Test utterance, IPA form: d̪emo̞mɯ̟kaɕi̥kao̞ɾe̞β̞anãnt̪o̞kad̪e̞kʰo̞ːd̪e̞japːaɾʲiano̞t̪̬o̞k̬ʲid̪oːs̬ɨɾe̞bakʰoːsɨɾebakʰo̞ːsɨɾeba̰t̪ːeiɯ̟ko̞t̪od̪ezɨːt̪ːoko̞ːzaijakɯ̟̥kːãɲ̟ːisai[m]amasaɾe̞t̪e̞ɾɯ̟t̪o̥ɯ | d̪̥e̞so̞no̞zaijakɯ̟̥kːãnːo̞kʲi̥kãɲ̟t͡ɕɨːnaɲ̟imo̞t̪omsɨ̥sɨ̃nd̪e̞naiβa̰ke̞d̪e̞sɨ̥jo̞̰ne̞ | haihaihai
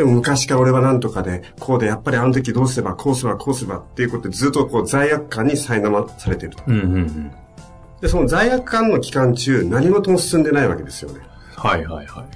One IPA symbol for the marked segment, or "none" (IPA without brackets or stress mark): n